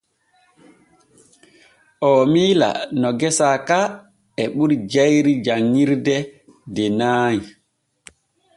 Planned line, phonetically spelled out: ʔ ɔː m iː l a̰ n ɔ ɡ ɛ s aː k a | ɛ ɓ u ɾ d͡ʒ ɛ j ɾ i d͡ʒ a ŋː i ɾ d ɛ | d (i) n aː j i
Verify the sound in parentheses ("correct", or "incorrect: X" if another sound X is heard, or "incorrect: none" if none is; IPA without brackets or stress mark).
incorrect: ɛ